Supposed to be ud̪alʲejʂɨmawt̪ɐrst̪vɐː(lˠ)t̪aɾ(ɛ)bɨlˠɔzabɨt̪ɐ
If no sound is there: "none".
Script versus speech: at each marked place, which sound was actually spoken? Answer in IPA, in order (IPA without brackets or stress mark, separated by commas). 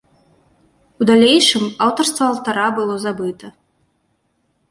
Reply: lˠ, a